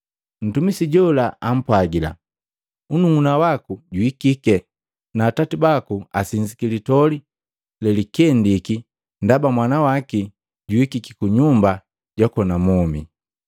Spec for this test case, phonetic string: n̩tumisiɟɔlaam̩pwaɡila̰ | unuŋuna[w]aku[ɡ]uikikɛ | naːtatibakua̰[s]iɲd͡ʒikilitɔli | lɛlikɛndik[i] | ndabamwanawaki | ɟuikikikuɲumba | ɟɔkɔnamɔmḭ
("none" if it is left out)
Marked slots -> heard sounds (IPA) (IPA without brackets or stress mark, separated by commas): w, ɟ, s, i